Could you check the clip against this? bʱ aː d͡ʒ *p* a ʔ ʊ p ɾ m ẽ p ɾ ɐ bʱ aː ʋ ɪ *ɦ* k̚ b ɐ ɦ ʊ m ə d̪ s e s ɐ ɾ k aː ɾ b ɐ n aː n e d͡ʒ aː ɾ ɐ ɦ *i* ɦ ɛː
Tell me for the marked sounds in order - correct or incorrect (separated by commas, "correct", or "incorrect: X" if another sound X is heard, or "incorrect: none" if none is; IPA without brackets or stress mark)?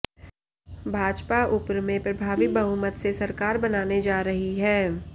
correct, incorrect: none, correct